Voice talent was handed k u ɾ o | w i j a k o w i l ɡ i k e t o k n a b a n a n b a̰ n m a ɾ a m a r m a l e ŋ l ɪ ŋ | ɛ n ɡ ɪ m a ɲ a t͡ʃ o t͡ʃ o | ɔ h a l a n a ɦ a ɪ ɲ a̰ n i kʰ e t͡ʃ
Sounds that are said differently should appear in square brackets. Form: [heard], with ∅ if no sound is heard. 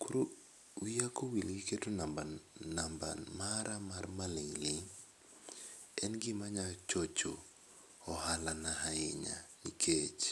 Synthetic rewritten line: k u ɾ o | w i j a k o w i l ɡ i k e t o [∅] n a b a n a [m] b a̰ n m a ɾ a m a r m a l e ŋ l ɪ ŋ | ɛ n ɡ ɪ m a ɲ a t͡ʃ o t͡ʃ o | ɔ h a l a n a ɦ a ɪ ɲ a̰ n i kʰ e t͡ʃ